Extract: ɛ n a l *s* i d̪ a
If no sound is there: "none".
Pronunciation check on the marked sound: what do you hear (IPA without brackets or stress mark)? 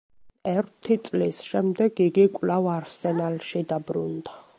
ʃ